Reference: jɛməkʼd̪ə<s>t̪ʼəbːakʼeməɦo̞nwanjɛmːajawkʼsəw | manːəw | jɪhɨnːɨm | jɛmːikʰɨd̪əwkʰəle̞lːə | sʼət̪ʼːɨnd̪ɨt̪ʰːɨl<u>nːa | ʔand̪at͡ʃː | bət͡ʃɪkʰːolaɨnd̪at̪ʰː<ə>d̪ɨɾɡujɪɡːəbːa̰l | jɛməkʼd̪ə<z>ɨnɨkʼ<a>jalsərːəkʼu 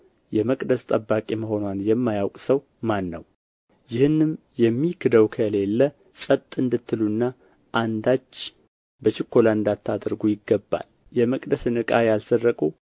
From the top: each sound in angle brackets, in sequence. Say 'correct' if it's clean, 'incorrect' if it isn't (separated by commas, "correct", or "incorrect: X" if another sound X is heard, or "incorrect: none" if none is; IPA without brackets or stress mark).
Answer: correct, correct, incorrect: a, incorrect: s, correct